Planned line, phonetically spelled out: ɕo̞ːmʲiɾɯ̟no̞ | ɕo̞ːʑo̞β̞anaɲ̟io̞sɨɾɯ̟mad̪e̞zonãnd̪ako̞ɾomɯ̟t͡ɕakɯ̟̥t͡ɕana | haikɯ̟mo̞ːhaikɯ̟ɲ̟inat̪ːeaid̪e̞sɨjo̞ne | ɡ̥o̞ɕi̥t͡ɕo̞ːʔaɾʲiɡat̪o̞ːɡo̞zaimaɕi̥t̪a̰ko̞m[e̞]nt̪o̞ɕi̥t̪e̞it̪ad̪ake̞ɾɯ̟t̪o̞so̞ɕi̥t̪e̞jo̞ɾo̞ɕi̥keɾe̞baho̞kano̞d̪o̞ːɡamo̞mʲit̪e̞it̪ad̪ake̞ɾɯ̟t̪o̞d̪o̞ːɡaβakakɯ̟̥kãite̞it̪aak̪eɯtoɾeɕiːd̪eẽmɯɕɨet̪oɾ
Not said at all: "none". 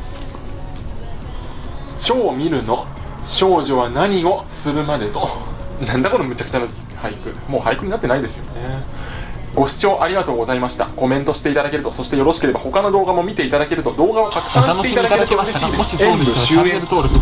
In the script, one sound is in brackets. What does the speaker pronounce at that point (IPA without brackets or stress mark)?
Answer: ẽ̞